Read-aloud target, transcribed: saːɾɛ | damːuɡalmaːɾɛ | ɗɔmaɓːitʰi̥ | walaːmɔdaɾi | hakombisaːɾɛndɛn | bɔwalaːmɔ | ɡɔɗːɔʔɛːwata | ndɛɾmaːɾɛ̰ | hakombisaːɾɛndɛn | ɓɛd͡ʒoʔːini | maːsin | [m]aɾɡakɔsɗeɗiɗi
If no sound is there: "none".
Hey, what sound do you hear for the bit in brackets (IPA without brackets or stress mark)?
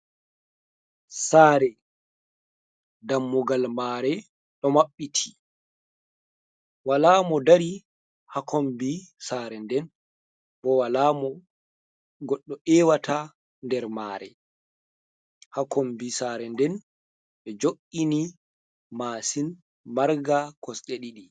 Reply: m